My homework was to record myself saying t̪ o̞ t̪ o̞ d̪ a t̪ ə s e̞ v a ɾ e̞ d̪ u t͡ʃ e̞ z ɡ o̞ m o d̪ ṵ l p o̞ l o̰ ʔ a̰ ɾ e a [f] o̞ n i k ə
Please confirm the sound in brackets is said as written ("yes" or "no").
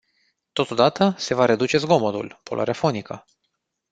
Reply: yes